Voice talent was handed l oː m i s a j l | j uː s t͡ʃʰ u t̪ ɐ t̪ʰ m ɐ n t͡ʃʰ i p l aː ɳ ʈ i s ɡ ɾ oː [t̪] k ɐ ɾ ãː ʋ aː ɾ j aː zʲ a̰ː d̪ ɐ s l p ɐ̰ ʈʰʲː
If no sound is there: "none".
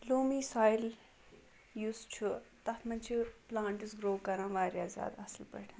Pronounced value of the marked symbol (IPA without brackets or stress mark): none